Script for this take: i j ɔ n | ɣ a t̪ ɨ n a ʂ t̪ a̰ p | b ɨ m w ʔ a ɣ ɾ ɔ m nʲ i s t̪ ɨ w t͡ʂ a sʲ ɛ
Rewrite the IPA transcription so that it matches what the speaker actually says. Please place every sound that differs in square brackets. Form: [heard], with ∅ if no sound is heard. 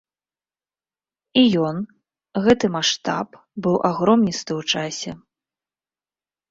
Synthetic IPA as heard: i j ɔ n | ɣ [ɛ] t̪ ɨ [m] a ʂ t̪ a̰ p | b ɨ [∅] w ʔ a ɣ ɾ ɔ m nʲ i s t̪ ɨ w t͡ʂ a sʲ ɛ